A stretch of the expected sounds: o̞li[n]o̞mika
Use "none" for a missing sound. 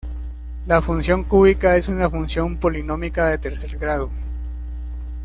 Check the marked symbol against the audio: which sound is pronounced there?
n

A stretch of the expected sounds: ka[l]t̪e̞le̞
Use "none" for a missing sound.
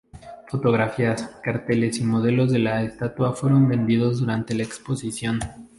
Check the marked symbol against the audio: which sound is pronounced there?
ɾ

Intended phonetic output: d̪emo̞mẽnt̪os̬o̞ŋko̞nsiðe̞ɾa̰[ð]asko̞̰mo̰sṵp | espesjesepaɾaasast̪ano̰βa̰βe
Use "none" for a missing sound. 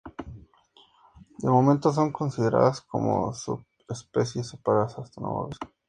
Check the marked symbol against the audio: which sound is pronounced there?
ð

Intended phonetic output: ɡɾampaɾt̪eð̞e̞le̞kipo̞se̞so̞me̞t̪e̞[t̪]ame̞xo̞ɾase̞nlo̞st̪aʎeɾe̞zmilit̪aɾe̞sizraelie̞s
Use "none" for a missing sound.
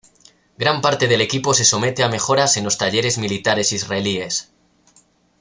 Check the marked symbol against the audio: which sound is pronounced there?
none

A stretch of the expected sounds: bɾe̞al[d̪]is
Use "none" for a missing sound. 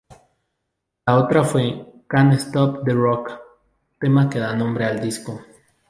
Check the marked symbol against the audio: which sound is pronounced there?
d̪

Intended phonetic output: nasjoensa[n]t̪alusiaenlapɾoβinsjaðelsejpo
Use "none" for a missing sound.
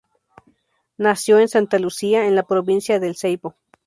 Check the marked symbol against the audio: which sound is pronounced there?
n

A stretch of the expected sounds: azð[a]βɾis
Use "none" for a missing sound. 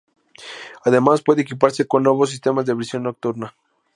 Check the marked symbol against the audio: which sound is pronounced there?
e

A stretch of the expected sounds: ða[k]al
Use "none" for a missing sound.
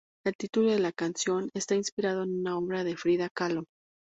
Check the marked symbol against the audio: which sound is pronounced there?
k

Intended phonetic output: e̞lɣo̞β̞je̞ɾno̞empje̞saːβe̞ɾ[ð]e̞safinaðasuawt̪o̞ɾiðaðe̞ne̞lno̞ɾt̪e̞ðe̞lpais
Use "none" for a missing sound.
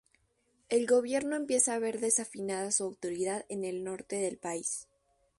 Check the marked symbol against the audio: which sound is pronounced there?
ð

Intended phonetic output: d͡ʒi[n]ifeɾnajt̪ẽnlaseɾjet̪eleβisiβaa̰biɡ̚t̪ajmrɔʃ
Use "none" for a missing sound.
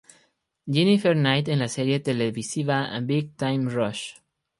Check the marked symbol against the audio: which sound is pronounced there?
n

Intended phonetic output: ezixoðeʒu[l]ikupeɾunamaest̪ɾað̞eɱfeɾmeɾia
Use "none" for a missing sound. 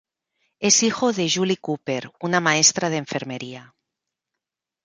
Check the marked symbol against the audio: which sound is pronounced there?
l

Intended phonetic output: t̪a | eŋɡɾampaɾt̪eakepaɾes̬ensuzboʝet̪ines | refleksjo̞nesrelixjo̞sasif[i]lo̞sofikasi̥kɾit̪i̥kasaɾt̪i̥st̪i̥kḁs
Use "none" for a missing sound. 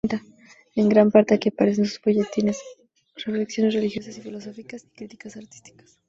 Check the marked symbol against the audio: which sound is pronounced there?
i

